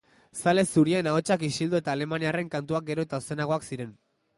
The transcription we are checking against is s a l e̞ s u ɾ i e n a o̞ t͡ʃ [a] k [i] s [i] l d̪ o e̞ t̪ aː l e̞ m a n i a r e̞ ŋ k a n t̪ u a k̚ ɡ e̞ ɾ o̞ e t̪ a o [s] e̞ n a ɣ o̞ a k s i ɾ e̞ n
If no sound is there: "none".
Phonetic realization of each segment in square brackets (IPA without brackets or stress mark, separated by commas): a, i, i, s